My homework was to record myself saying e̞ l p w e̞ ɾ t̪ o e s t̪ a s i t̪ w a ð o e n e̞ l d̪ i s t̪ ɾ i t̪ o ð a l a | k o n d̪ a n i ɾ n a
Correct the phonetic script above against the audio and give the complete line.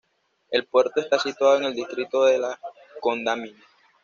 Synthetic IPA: e̞ l p w e̞ ɾ t̪ o e s t̪ a s i t̪ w a ð o e ŋ e̞ l d̪ i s t̪ ɾ i t̪ o ð e l a | k o n d̪ a m i n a